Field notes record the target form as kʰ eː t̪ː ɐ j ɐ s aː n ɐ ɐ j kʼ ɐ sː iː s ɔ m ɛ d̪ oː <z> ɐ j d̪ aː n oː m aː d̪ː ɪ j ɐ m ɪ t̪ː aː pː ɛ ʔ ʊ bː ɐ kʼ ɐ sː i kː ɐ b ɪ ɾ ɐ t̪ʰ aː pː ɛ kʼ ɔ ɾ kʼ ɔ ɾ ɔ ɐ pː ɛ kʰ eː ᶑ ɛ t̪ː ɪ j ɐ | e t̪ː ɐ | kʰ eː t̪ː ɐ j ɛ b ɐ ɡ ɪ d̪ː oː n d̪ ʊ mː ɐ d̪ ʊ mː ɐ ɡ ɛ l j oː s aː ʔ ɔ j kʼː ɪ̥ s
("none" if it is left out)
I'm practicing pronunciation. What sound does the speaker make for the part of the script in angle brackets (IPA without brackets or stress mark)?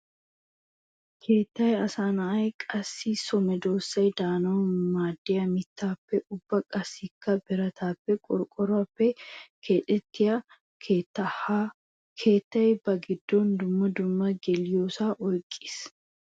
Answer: s